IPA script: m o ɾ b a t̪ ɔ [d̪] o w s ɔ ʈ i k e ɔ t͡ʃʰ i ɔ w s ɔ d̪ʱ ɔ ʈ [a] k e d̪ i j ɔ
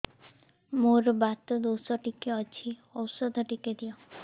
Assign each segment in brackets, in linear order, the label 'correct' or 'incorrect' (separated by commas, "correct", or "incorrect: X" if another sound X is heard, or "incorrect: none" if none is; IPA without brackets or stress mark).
correct, incorrect: i